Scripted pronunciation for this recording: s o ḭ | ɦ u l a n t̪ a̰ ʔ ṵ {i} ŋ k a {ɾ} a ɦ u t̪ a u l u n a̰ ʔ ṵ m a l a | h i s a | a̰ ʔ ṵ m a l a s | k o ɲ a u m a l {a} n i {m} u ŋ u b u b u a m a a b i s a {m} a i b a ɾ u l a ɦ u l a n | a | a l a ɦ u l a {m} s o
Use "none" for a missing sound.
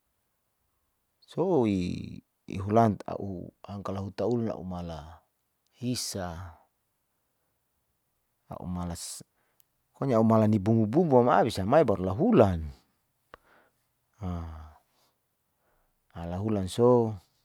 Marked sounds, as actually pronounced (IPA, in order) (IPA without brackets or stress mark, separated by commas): a, l, a, b, m, n